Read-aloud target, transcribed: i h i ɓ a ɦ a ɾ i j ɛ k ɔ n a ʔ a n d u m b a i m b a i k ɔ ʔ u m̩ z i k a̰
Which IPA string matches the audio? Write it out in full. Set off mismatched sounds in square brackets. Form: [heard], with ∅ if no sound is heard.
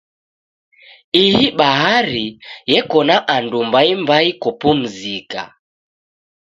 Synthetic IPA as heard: i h i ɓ a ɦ a ɾ i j ɛ k ɔ n a ʔ a n d u m b a i m b a i k ɔ [p] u m̩ z i k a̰